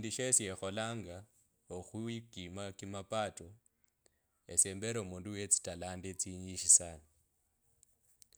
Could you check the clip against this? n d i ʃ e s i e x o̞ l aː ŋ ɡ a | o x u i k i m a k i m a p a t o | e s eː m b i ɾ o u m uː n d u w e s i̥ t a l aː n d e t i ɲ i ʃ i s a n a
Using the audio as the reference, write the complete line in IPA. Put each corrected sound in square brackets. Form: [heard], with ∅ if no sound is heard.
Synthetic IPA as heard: n d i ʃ e s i e x o̞ l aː ŋ ɡ a | o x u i k i m a k i m a p a t o | e s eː m b [e] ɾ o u m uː n d u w e [t͡s] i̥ t a l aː n d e [t͡s] i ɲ i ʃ i s a n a

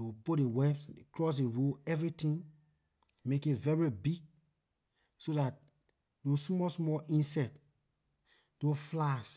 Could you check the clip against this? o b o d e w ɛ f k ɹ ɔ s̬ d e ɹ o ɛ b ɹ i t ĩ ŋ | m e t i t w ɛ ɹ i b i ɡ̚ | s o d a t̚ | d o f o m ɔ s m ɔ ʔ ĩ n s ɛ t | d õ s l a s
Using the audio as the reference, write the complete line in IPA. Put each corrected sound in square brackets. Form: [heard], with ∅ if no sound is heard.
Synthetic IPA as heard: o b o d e w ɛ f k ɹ ɔ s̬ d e ɹ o ɛ [v] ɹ i t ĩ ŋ | m e [k] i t [v] ɛ ɹ i b i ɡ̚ | s o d a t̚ | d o [s] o m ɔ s m ɔ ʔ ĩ n s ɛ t | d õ [f] l a s

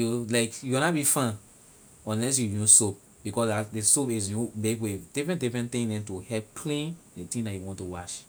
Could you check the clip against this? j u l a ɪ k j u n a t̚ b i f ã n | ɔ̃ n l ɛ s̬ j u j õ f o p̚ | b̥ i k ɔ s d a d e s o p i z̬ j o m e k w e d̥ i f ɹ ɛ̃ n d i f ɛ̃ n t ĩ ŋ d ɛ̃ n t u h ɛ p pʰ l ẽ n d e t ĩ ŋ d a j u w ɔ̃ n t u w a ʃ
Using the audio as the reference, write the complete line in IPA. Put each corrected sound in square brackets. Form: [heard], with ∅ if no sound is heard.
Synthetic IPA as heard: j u l a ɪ k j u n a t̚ b i f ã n | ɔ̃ n l ɛ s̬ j u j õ [s] o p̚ | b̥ i k ɔ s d a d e s o p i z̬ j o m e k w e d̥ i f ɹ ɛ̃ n d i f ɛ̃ n t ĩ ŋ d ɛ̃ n t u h ɛ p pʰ l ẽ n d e t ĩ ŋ d a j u w ɔ̃ n t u w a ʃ

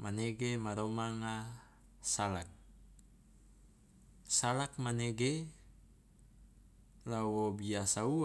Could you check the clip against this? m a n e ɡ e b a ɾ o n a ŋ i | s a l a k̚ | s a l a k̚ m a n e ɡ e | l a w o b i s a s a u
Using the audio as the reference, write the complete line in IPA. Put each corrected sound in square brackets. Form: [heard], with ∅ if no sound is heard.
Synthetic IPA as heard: m a n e ɡ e [m] a ɾ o [m] a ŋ [a] | s a l a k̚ | s a l a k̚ m a n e ɡ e | l a w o b i [∅] a s a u

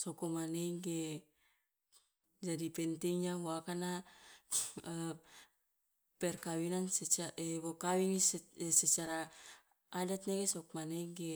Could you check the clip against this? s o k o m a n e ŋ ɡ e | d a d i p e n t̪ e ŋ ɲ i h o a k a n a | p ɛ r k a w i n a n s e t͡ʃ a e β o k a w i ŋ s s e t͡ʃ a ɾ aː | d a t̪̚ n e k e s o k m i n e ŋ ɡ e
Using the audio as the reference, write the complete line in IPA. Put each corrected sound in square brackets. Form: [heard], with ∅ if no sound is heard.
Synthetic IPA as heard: s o k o m a n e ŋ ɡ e | [d͡ʒ] a d i p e n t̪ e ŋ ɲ [a] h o a k a n a | p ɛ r k a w i n a n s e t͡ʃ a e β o k a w i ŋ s s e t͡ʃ a ɾ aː | d a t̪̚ n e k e s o k m [a] n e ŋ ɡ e

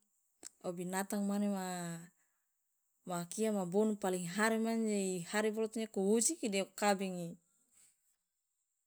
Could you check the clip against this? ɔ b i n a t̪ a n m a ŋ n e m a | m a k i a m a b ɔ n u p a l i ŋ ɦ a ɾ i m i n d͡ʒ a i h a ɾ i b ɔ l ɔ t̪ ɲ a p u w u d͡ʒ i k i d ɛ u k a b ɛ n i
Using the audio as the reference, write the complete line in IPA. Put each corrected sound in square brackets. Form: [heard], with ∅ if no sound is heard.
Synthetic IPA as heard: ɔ b i n a t̪ a [ŋ] m a [∅] n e m a | m a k i a m a b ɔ n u p a l i ŋ ɦ a ɾ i m [a] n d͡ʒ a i h a ɾ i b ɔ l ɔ t̪ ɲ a [k] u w u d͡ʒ i k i d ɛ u k a b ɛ [ŋ] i

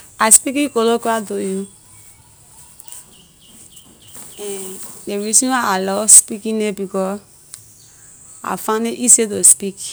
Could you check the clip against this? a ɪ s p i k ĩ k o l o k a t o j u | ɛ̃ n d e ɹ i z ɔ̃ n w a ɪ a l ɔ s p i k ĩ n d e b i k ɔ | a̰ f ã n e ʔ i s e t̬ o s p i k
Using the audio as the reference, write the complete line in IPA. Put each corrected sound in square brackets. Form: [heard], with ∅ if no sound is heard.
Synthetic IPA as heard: a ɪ s p i k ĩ k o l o k a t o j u | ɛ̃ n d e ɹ i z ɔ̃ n w a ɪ a l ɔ s p i k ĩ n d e b i k ɔ | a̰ f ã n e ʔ i s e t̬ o s p i k

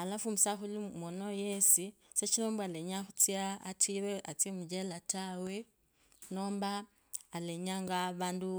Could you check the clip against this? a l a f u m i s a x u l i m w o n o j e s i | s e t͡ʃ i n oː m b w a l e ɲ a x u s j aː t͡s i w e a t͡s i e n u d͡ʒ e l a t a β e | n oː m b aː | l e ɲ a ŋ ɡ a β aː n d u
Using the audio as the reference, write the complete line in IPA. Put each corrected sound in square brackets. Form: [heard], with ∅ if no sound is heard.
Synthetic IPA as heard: a l a f u m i s a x u l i m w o n o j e s i | s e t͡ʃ i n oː m b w a l e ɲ a x u [t͡s] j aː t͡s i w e a t͡s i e [m] u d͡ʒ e l a t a [w] e | n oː m b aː | l e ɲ a ŋ ɡ a β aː n d u

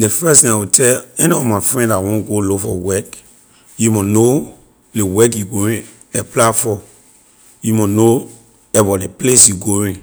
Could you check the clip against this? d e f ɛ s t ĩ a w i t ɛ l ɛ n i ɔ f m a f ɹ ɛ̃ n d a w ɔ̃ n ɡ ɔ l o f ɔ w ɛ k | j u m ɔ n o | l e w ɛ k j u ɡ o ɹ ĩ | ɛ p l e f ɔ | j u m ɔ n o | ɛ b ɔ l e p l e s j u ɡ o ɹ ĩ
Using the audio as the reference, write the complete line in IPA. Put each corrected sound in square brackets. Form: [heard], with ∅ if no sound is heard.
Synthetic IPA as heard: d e f ɛ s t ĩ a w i t ɛ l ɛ n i ɔ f m a f ɹ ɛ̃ n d a w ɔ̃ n ɡ [o] l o f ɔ w ɛ k | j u m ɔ n o | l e w ɛ k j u ɡ o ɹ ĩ | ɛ p l [a] f ɔ | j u m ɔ n o | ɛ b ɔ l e p l e s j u ɡ o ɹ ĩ

